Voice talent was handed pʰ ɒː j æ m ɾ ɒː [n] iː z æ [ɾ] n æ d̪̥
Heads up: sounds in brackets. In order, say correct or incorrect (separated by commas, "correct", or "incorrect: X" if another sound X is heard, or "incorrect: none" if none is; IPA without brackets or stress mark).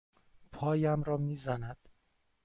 incorrect: m, incorrect: none